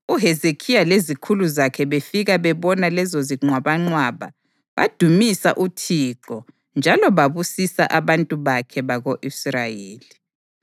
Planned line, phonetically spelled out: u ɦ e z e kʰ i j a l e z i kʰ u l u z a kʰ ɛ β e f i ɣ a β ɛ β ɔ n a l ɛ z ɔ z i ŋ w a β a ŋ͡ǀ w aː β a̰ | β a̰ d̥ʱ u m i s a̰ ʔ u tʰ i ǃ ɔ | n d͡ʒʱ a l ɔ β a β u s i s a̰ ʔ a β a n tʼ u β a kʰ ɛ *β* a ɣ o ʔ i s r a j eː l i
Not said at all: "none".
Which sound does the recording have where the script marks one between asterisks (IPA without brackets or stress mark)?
β